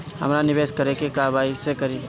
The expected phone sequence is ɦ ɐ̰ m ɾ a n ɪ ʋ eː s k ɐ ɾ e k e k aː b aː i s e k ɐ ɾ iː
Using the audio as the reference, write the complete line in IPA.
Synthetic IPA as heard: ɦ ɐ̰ m ɾ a n ɪ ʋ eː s k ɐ ɾ e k e k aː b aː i s e k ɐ ɾ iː